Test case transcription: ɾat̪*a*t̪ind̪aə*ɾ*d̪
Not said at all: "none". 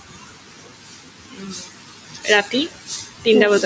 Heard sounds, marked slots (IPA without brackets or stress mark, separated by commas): i, none